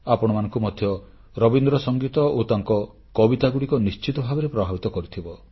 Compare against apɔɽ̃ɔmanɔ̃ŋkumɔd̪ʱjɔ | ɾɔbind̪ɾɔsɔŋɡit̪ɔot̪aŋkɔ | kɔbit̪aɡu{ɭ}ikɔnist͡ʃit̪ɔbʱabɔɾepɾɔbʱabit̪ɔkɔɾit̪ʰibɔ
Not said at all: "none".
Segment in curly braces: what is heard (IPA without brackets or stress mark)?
ɽ